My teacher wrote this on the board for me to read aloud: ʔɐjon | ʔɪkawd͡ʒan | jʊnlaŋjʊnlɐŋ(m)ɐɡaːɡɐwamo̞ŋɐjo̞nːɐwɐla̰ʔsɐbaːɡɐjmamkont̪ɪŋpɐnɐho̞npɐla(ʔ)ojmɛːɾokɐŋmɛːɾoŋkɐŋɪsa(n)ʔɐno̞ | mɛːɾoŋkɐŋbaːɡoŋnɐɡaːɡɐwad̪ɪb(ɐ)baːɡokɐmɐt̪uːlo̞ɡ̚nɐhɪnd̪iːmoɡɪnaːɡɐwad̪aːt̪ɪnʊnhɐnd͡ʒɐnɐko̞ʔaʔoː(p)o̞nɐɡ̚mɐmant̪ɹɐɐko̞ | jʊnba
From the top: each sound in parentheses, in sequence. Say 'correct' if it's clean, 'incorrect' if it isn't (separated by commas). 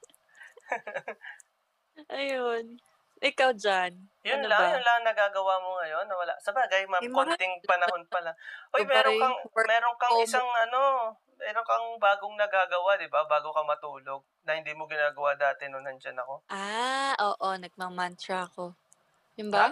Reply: incorrect, correct, incorrect, incorrect, incorrect